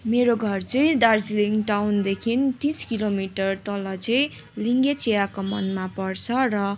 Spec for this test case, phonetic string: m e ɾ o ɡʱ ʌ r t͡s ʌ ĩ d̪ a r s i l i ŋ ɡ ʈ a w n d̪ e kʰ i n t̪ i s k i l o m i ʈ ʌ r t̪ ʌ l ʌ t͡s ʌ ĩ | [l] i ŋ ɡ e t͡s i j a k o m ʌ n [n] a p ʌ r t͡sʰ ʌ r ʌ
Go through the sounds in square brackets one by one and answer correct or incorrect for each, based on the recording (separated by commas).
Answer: correct, incorrect